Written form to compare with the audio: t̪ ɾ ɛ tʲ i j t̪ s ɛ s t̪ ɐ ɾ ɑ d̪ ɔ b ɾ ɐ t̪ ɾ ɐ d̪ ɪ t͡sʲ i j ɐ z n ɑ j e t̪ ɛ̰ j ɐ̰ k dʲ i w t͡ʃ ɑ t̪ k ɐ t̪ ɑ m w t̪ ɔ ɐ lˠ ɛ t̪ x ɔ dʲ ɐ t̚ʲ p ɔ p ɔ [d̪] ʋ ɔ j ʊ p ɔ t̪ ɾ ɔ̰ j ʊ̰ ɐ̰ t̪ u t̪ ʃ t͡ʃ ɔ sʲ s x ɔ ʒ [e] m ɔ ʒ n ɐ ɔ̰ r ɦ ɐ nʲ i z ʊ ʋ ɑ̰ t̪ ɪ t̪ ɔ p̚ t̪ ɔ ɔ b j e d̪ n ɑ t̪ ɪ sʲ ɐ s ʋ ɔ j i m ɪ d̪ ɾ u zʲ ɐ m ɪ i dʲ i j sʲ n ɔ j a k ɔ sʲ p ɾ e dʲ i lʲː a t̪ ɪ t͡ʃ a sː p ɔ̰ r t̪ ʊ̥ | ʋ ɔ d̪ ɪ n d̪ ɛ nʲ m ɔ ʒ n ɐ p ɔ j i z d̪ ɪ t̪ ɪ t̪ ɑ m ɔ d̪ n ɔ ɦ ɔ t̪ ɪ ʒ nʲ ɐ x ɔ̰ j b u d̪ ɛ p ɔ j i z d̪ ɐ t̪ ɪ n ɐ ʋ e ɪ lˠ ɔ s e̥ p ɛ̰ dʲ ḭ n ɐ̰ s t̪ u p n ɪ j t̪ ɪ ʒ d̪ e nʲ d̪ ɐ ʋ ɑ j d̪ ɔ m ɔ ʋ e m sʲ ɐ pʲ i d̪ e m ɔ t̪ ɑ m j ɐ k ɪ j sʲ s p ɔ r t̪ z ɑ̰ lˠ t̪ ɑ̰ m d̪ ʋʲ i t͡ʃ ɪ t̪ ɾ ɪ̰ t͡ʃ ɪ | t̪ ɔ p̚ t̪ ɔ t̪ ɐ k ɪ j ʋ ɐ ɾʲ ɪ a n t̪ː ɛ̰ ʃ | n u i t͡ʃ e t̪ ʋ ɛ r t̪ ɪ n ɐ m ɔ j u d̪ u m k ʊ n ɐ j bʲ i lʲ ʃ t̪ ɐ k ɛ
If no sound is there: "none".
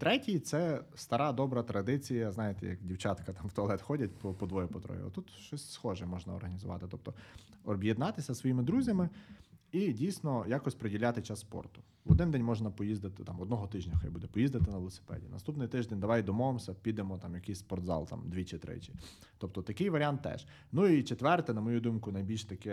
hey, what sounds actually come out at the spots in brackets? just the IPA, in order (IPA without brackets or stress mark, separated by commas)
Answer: d̪, ɛ